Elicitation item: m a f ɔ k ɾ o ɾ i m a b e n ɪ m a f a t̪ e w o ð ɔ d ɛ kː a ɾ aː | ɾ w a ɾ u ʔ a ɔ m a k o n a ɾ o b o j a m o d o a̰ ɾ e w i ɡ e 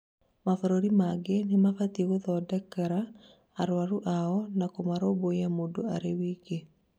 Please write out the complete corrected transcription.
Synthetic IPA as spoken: m a f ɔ ɾ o ɾ i m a ɡ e n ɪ m a f a t̪ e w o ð ɔ d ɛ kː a ɾ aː | ɾ w a ɾ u ʔ a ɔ n a k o m a ɾ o b o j a m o d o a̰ ɾ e w i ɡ e